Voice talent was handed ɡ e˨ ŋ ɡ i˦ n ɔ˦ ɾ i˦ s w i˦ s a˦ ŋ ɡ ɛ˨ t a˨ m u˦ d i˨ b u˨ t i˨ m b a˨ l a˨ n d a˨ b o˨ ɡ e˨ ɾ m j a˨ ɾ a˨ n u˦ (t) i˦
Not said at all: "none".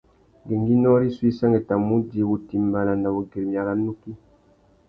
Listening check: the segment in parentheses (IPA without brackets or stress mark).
k